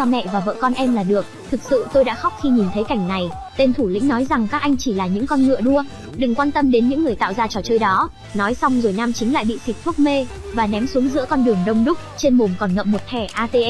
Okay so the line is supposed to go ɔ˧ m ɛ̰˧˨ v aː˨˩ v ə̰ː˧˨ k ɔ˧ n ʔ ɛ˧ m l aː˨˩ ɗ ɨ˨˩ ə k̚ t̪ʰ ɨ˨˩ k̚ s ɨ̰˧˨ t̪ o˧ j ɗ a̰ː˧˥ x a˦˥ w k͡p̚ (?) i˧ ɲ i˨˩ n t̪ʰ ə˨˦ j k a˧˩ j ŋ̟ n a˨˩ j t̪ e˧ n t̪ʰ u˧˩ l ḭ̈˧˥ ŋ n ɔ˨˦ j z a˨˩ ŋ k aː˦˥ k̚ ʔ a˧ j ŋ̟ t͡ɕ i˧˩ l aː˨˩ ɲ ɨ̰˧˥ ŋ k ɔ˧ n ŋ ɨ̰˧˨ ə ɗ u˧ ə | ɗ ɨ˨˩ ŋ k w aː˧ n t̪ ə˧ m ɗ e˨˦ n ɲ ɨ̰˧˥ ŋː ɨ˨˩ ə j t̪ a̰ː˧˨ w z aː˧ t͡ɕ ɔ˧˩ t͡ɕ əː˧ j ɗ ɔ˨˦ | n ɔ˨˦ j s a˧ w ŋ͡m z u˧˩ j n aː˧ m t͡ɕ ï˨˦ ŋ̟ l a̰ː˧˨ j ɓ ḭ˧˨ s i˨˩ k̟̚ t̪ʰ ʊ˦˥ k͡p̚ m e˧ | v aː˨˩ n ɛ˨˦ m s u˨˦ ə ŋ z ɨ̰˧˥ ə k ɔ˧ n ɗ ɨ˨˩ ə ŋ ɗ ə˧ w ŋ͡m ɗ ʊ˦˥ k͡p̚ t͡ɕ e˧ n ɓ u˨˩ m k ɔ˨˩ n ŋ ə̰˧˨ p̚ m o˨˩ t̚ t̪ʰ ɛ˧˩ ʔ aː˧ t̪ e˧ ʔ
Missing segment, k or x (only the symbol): x